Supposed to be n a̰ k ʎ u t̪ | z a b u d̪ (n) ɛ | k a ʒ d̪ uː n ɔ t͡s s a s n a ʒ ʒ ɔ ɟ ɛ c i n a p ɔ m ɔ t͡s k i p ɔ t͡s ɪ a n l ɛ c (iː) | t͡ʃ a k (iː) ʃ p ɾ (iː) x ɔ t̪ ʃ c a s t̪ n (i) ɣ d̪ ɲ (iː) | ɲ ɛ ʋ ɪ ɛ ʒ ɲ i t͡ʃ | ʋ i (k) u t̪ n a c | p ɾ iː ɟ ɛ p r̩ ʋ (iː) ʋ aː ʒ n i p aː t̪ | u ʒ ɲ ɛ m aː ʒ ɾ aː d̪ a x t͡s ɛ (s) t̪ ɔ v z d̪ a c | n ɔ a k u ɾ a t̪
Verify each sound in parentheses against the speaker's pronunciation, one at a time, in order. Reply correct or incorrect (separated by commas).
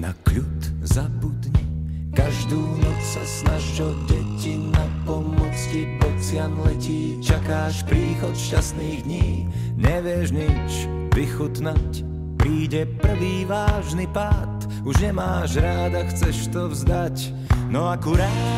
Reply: incorrect, correct, incorrect, correct, incorrect, correct, incorrect, correct, incorrect